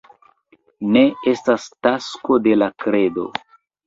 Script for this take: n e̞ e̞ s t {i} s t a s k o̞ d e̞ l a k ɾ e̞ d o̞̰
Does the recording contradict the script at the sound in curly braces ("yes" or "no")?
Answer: yes